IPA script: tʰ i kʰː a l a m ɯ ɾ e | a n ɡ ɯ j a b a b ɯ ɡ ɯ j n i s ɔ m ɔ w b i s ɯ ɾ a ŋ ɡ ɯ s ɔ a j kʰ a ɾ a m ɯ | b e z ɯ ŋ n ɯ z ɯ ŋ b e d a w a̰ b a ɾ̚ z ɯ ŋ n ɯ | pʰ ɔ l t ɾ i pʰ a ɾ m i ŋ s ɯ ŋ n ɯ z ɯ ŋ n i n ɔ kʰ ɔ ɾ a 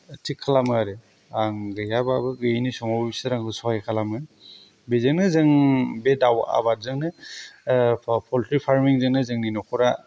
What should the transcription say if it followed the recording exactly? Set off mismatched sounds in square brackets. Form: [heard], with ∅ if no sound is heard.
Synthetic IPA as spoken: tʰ i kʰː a l a m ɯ ɾ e | a [ŋ] ɡ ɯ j a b a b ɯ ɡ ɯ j n i s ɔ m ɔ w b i s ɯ ɾ a ŋ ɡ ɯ s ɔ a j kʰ a [l] a m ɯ | b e z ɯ ŋ n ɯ z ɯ ŋ b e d a w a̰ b a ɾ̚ z ɯ ŋ n ɯ | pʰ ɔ l t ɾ i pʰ a ɾ m i ŋ [z] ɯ ŋ n ɯ z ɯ ŋ n i n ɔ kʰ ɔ ɾ a

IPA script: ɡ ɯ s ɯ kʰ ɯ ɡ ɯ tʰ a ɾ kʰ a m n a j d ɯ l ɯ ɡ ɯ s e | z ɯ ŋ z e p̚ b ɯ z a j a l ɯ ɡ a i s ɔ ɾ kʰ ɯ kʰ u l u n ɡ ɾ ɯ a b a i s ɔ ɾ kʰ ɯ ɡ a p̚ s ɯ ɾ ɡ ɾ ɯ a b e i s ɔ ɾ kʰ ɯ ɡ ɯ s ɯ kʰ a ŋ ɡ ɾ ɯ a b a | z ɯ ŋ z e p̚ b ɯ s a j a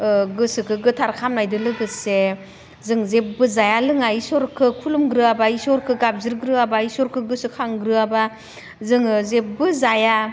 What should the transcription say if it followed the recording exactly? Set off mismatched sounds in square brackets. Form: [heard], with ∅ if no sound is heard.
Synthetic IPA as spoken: ɡ ɯ s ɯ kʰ ɯ ɡ ɯ tʰ a ɾ kʰ a m n a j d ɯ l ɯ ɡ ɯ s e | z ɯ ŋ z e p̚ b ɯ z a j a l ɯ [ŋ] a i s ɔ ɾ kʰ ɯ kʰ u l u [m] ɡ ɾ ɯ a b a i s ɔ ɾ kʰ ɯ ɡ a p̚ [z] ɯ ɾ ɡ ɾ ɯ a b [a] i s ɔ ɾ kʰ ɯ ɡ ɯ s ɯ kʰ a ŋ ɡ ɾ ɯ a b a | z ɯ ŋ z e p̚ b ɯ [z] a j a

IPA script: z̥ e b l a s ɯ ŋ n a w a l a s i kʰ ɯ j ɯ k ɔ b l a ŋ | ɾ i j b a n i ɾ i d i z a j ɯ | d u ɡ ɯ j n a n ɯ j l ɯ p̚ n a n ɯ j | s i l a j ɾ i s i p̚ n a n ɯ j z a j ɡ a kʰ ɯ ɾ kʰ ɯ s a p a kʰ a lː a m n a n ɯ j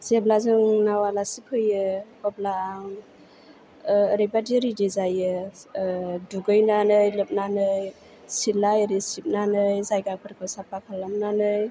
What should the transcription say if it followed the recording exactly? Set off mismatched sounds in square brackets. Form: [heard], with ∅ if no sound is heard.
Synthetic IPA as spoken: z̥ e b l a [z] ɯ ŋ n a w a l a s i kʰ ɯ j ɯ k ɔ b l a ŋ | ɾ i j b a [d] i ɾ i d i z a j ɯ | d u ɡ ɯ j n a n ɯ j l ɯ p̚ n a n ɯ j | s i l a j ɾ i s i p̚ n a n ɯ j z a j ɡ a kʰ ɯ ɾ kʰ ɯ s a p a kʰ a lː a m n a n ɯ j

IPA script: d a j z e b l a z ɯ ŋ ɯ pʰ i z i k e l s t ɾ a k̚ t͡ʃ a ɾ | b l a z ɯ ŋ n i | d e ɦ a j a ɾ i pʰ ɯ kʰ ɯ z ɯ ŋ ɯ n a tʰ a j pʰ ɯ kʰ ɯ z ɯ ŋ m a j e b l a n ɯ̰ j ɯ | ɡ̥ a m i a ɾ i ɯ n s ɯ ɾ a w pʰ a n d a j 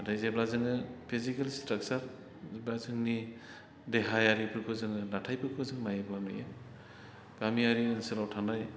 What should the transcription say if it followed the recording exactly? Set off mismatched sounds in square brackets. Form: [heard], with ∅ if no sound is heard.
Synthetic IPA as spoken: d a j z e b l a z ɯ ŋ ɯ pʰ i z i k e l s t ɾ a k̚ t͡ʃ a ɾ | b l a z ɯ ŋ n i | d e ɦ a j a ɾ i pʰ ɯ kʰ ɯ z ɯ ŋ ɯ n a tʰ a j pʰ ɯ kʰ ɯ z ɯ ŋ m a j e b l a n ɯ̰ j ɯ | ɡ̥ a m i a ɾ i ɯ n s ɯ [l] a w [tʰ] a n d a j

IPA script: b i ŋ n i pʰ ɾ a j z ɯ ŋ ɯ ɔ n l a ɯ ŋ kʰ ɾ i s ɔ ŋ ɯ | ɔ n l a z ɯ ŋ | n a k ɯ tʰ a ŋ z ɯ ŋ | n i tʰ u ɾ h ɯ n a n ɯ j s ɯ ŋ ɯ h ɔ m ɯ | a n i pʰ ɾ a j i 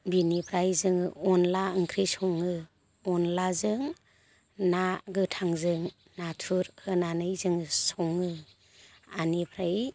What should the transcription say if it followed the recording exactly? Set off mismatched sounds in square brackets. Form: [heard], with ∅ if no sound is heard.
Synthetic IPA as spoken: b i [∅] n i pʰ ɾ a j z ɯ ŋ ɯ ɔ n l a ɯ ŋ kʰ ɾ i s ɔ ŋ ɯ | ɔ n l a z ɯ ŋ | n a [ɡ] ɯ tʰ a ŋ z ɯ ŋ | n [a] tʰ u ɾ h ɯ n a n ɯ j [z] ɯ ŋ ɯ [s] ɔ [ŋ] ɯ | a n i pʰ ɾ a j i

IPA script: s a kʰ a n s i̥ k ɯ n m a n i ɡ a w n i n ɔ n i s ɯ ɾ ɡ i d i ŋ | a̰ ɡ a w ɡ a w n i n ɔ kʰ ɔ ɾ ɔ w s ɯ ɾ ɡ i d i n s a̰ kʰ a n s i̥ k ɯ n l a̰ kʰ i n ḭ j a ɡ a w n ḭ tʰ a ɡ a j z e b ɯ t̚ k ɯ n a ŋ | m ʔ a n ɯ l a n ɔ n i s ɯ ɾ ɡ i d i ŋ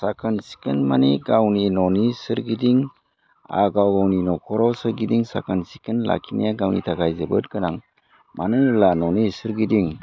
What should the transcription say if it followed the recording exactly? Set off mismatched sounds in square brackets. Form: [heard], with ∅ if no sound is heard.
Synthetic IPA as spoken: s a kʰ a n s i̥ k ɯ n m a n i ɡ a w n i n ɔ n i s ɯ ɾ ɡ i d i ŋ | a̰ ɡ a w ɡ a w n i n ɔ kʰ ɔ ɾ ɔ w s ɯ ɾ ɡ i d i [ŋ] s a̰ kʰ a n s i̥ k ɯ n l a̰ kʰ i n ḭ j a ɡ a w n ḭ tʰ a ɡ a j z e b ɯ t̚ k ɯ n a ŋ | m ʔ a n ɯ l a n ɔ n i s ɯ ɾ ɡ i d i ŋ

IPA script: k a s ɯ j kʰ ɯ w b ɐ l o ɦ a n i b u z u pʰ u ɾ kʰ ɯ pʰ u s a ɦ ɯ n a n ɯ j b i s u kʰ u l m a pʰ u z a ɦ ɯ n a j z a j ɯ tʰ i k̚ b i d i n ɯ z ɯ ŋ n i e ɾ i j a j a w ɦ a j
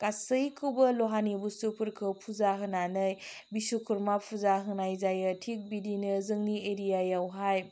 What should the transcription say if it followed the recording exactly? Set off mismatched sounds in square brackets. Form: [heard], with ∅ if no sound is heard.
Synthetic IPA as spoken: k a s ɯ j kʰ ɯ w b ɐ l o ɦ a n i b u [s] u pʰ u ɾ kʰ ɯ pʰ u [z] a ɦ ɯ n a n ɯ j b i s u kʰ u [ɾ] m a pʰ u z a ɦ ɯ n a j z a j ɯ tʰ i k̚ b i d i n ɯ z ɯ ŋ n i e ɾ i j a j a w ɦ a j

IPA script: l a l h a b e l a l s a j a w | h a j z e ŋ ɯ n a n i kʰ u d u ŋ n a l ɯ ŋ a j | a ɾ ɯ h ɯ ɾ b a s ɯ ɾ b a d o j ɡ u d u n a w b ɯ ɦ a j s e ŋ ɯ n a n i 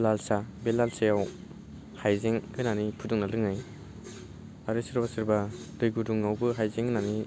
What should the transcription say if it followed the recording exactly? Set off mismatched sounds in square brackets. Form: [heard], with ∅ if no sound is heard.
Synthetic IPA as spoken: l a l [s] a b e l a l s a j a w | h a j z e ŋ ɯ n a n i [pʰ] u d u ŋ n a l ɯ ŋ a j | a ɾ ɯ [s] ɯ ɾ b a s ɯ ɾ b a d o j ɡ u d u [ŋ] a w b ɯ ɦ a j [z] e ŋ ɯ n a n i

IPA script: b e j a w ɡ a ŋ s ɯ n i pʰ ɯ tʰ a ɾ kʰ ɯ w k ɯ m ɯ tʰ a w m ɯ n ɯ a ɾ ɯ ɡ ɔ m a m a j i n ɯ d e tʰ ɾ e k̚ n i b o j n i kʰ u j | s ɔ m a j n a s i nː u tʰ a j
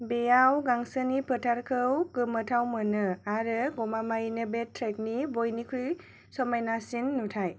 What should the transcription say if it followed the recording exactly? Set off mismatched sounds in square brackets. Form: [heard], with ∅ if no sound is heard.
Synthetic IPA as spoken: b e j a w ɡ a ŋ s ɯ n i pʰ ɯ tʰ a ɾ kʰ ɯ w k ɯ m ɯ tʰ a w m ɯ n ɯ a ɾ ɯ ɡ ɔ m a m a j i n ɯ [b] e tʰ ɾ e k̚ n i b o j n i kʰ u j | s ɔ m a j n a s i nː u tʰ a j

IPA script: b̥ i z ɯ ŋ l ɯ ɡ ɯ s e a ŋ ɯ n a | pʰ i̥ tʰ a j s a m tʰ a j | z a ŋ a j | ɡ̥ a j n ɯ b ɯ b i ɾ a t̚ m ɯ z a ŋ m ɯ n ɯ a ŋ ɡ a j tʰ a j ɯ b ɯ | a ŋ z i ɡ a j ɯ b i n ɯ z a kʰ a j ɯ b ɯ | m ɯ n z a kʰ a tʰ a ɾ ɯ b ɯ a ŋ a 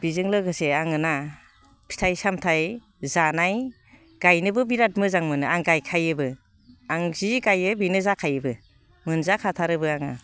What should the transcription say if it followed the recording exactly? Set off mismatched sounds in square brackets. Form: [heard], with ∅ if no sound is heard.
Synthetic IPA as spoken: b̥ i z ɯ ŋ l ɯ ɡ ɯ s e a ŋ ɯ n a | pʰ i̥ tʰ a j s a m tʰ a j | z a [n] a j | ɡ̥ a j n ɯ b ɯ b i ɾ a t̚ m ɯ z a ŋ m ɯ n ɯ a ŋ ɡ a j [kʰ] a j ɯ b ɯ | a ŋ z i ɡ a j ɯ b i n ɯ z a kʰ a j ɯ b ɯ | m ɯ n z a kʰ a tʰ a ɾ ɯ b ɯ a ŋ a

